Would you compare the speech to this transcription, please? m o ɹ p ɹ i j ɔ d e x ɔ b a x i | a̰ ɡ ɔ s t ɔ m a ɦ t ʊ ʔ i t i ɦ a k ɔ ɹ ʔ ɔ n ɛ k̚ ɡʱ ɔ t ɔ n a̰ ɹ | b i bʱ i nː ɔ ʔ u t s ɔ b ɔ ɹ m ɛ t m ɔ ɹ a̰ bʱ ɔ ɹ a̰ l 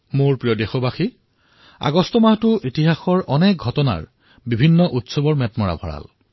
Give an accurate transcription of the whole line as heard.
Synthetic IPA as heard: m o ɹ p ɹ i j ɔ d e x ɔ b a x i | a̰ ɡ ɔ s t ɔ m a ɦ t ʊ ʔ i t i ɦ a x ɔ ɹ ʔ ɔ n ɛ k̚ ɡʱ ɔ t ɔ n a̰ ɹ | b i bʱ i nː ɔ ʔ u t s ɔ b ɔ ɹ m ɛ t m ɔ ɹ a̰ bʱ ɔ ɹ a̰ l